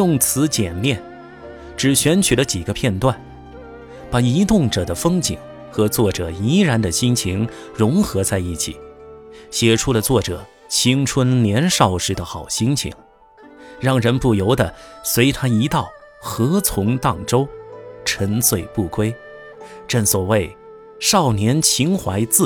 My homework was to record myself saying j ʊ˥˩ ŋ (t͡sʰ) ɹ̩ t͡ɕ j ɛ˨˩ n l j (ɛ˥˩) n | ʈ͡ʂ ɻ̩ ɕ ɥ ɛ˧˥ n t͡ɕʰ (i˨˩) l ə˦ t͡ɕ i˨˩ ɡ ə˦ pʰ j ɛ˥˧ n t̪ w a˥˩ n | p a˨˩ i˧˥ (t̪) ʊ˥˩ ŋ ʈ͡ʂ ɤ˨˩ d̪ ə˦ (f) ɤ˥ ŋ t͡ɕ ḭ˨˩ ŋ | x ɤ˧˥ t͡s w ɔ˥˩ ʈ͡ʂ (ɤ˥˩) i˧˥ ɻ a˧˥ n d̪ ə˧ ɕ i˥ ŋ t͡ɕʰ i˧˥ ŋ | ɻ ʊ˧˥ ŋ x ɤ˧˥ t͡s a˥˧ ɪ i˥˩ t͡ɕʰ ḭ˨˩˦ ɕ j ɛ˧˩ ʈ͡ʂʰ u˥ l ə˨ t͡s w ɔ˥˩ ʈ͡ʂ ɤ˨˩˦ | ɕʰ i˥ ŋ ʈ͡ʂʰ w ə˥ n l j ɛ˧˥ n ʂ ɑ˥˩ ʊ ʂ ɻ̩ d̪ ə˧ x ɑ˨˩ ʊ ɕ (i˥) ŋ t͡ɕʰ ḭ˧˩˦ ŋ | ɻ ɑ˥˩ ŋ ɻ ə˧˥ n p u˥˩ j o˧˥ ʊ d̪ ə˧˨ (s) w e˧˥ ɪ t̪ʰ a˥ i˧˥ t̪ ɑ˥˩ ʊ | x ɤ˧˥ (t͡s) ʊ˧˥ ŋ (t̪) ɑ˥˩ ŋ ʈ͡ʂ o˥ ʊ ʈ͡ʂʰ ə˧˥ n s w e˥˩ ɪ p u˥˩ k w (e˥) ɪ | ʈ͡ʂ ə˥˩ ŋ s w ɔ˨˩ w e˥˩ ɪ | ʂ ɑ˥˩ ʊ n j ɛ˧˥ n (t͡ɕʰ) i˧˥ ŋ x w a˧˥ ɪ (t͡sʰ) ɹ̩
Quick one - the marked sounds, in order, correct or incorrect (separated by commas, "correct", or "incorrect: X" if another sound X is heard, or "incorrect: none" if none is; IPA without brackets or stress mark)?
correct, correct, incorrect: y˨˩, correct, correct, incorrect: ɤ˨˩, correct, correct, incorrect: t͡sʰ, correct, correct, correct, incorrect: t͡s